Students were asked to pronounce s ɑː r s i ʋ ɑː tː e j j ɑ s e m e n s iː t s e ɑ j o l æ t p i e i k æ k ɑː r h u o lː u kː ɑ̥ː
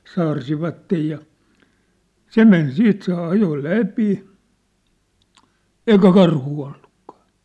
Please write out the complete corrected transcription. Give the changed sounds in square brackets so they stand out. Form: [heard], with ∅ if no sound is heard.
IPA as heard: s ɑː r s i ʋ [ɑ] tː e j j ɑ s e m e n s iː t s e ɑ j o l æ [∅] p i e i k æ k [ɑ] r h [uː] o lː u kː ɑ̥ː